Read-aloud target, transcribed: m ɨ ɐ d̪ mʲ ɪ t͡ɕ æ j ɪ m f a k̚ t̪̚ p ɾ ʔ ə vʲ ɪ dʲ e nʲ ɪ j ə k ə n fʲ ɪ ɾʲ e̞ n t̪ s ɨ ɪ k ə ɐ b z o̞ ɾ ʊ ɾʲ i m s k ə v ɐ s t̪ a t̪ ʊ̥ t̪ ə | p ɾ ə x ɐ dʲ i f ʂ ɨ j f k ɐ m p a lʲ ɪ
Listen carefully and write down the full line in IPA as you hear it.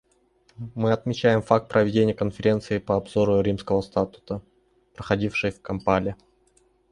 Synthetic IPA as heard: m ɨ ɐ t̪ mʲ ɪ t͡ɕ æ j ɪ m f a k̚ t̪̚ p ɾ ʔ ə vʲ ɪ dʲ e nʲ ɪ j ə k ə n fʲ ɪ ɾʲ e̞ n t̪ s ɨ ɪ p ə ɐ b z o̞ ɾ ʊ ɾʲ i m s k ə v ə s t̪ a t̪ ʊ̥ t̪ ə | p ɾ ə x ɐ dʲ i f ʂ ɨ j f k ɐ m p a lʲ ɪ

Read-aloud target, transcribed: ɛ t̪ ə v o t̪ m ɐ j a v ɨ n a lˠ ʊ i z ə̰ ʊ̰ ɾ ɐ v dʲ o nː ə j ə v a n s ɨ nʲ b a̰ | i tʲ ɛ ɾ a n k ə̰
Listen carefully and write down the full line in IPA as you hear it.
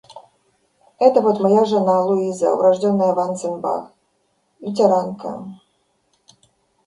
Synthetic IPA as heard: ɛ t̪ ə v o t̪ m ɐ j a ʐ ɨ n a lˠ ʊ i z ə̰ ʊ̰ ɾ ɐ ʐ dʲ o nː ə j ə v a n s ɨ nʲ b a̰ | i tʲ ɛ ɾ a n k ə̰

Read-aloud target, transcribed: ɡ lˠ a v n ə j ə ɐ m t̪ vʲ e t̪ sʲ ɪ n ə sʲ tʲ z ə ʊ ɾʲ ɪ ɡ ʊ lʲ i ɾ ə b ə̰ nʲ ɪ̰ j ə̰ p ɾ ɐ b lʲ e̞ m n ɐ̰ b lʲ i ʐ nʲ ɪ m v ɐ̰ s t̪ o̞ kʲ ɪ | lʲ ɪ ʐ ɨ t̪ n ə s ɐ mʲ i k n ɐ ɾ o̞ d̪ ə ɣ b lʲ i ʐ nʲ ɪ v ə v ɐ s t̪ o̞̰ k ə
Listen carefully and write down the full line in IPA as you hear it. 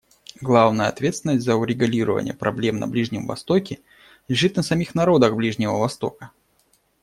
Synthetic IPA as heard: ɡ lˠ a v n ə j ə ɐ t̪ vʲ e t̪ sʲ ɪ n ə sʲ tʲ z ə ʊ ɾʲ ɪ ɡ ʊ lʲ i ɾ ə v ə̰ nʲ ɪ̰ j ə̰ p ɾ ɐ b lʲ e̞ m n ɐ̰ b lʲ i ʐ nʲ ɪ m v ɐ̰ s t̪ o̞ kʲ ɪ | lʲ ɪ ʐ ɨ t̪ n ə s ɐ mʲ i x n ɐ ɾ o̞ d̪ ə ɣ b lʲ i ʐ nʲ ɪ v ə v ɐ s t̪ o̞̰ k ə

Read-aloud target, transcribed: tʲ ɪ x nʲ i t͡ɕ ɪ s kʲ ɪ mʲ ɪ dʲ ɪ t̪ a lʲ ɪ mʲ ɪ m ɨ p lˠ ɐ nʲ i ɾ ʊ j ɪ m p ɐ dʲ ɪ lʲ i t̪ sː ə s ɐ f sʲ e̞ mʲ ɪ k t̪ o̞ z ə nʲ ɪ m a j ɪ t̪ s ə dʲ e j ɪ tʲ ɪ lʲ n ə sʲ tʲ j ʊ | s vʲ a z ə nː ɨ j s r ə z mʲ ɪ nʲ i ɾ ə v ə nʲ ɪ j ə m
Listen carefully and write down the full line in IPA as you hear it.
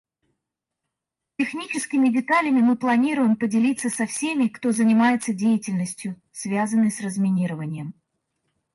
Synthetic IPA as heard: tʲ ɪ x nʲ i t͡ɕ ɪ s kʲ ɪ mʲ ɪ dʲ ɪ t̪ a lʲ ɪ mʲ ɪ m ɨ p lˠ ɐ nʲ i ɾ ʊ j ɪ m p ə dʲ ɪ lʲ i t̪ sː ə s ɐ f sʲ e̞ mʲ ɪ k t̪ o̞ z ə nʲ ɪ m a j ɪ t̪ s ə dʲ e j ɪ tʲ ɪ lʲ n ə sʲ tʲ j ʊ | s vʲ a z ə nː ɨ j s r ə z mʲ ɪ nʲ i ɾ ə v ə nʲ ɪ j ə m

